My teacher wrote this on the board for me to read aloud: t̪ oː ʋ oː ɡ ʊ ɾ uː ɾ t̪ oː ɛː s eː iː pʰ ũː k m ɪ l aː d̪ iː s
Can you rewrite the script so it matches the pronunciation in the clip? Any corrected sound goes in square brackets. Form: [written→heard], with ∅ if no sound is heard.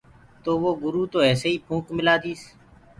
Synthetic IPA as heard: t̪ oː ʋ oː ɡ ʊ ɾ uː [ɾ→∅] t̪ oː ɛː s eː iː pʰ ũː k m ɪ l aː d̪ iː s